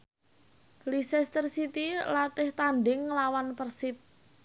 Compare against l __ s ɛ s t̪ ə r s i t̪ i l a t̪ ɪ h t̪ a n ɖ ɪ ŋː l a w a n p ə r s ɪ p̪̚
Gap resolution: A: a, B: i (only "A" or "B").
B